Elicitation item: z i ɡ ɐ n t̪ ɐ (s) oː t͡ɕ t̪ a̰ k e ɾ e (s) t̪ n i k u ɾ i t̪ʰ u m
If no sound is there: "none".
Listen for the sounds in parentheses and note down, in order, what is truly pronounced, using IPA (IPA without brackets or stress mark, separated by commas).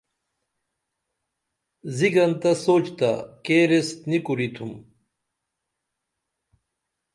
s, s